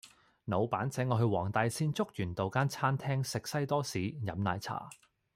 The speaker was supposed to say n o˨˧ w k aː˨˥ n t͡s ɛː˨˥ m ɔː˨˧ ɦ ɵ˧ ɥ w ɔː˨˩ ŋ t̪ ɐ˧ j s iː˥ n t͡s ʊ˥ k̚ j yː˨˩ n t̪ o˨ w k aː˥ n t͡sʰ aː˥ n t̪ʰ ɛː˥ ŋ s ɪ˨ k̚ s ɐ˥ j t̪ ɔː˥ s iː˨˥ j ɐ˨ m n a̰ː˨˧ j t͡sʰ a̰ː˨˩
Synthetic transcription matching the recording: n o˨˧ w p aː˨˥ n t͡s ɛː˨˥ ŋ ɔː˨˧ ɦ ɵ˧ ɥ w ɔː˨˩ ŋ t̪ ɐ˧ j s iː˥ n t͡s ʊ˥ k̚ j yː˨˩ n t̪ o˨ w k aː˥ n t͡sʰ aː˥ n t̪ʰ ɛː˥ ŋ s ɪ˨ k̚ s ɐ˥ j t̪ ɔː˥ s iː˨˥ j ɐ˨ m n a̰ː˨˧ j t͡sʰ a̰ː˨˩